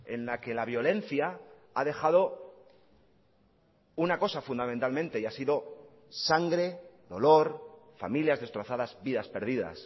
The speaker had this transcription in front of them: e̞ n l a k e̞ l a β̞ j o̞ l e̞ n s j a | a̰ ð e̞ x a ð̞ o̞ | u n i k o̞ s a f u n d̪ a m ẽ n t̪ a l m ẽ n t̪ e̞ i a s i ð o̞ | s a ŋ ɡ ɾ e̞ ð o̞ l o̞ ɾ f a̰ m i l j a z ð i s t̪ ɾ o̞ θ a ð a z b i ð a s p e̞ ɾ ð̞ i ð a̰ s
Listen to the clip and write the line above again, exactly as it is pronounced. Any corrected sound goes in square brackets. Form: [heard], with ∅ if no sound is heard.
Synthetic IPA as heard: e̞ n l a k e̞ l a β̞ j o̞ l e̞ n [θ] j a | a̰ ð e̞ x a ð̞ o̞ | u n [a] k o̞ s a f u n d̪ a m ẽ n t̪ a l m ẽ n t̪ e̞ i a s i ð o̞ | s a ŋ ɡ ɾ e̞ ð o̞ l o̞ ɾ f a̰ m i l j a z ð [e] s t̪ ɾ o̞ θ a ð a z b i ð a s p e̞ ɾ ð̞ i ð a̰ s